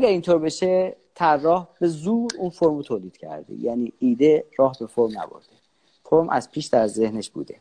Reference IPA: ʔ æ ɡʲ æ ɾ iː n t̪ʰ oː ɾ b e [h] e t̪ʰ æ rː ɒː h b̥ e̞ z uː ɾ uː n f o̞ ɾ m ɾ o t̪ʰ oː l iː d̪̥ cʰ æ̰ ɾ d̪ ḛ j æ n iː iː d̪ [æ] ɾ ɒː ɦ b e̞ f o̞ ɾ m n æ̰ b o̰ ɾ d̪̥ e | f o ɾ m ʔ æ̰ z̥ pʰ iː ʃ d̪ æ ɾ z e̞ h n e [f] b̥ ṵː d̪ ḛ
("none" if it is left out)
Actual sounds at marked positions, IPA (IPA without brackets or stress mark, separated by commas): ʃ, e, ʃ